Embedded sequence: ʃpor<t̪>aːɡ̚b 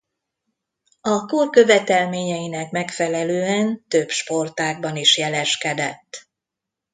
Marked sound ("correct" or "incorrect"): correct